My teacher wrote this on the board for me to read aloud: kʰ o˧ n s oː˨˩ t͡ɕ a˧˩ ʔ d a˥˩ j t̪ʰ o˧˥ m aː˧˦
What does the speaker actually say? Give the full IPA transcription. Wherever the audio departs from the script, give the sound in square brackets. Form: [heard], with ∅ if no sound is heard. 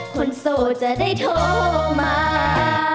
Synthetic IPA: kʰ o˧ n s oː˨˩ t͡ɕ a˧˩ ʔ d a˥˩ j t̪ʰ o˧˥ m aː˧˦

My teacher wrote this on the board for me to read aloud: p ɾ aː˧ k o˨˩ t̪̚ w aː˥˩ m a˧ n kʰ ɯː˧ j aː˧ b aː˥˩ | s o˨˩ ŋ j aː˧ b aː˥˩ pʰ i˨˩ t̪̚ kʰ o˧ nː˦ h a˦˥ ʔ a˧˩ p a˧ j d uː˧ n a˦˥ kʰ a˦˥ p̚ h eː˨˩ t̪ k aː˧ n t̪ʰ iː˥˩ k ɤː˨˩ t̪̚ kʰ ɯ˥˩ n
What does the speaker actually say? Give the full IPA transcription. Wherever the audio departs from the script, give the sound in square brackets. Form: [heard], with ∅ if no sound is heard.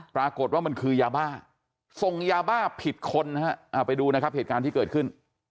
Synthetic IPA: p ɾ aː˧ k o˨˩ t̪̚ w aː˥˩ m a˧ n kʰ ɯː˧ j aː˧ b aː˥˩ | s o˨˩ ŋ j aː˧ b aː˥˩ pʰ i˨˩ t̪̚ kʰ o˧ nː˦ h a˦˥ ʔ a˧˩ p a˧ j d uː˧ n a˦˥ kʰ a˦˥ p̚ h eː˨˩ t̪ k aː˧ n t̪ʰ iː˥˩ k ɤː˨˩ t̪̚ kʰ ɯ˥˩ n

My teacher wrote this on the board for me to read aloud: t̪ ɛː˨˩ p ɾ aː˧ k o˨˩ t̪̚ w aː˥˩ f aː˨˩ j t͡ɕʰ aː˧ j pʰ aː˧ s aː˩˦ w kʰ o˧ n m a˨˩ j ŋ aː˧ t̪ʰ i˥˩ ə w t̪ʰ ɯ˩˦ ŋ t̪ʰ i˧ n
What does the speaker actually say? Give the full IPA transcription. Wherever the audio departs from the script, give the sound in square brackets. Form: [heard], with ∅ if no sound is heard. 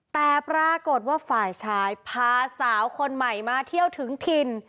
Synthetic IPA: t̪ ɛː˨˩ p ɾ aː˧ k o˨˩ t̪̚ w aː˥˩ f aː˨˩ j t͡ɕʰ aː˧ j pʰ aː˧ s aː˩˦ w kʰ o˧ n m a˨˩ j [m] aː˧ t̪ʰ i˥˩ ə w t̪ʰ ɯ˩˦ ŋ t̪ʰ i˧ n

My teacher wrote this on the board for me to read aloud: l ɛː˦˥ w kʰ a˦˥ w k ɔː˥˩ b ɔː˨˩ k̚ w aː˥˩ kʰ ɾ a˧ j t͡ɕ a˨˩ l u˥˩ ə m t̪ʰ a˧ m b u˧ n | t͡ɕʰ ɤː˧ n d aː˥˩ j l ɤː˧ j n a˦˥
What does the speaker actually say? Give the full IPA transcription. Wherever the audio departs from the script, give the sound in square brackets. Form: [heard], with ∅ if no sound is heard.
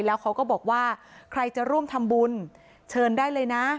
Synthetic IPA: l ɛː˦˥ w kʰ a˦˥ w k ɔː˥˩ b ɔː˨˩ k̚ w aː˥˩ kʰ ɾ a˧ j t͡ɕ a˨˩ [ɾ] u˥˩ ə m t̪ʰ a˧ m b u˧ n | t͡ɕʰ ɤː˧ n d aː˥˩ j l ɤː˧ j n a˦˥

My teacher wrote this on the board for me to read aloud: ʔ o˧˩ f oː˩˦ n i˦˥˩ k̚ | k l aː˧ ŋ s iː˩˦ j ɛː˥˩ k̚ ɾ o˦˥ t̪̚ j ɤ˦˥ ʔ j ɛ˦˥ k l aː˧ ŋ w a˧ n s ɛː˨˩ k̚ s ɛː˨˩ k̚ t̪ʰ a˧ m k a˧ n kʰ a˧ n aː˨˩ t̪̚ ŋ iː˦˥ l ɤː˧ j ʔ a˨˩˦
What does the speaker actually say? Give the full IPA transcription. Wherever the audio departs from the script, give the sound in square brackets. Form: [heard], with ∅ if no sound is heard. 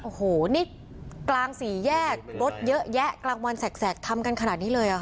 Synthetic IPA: ʔ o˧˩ [h] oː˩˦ n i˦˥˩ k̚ | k l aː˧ ŋ s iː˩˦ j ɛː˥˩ k̚ ɾ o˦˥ t̪̚ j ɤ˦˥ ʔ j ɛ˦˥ k l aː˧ ŋ w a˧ n s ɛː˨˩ k̚ s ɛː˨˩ k̚ t̪ʰ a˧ m k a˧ n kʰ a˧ n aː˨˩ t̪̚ [n] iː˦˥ l ɤː˧ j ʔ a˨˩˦

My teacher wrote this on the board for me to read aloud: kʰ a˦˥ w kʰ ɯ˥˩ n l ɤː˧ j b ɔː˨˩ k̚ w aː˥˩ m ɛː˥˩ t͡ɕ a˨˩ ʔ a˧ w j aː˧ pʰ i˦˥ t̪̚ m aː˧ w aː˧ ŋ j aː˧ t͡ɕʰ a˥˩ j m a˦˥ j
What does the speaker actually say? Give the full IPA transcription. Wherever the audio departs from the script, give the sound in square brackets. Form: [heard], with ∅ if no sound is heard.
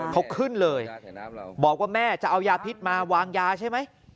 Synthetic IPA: kʰ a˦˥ w kʰ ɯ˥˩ n l ɤː˧ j b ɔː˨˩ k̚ w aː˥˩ m ɛː˥˩ t͡ɕ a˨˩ ʔ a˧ w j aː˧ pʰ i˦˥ t̪̚ m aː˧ w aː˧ ŋ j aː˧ t͡ɕʰ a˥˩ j m a˦˥ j

